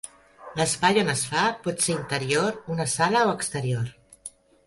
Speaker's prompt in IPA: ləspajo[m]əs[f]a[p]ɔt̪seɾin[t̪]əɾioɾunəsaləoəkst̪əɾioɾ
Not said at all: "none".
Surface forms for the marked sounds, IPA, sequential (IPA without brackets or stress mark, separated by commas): n, f, p, t̪